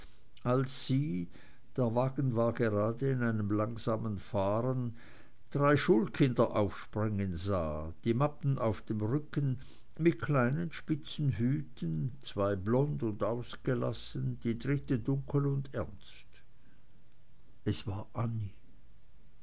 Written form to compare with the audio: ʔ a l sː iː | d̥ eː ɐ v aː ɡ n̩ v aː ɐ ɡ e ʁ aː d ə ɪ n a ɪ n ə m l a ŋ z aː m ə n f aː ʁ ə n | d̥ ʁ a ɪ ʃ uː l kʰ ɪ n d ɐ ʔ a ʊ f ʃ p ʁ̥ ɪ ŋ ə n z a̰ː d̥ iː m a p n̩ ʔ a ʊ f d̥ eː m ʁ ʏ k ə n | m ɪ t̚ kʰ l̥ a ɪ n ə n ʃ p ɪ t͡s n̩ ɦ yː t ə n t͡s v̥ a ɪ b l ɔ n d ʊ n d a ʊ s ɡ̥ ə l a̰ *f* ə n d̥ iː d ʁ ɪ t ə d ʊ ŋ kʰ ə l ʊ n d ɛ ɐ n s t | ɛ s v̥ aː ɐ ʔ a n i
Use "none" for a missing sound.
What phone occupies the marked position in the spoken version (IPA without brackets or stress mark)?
s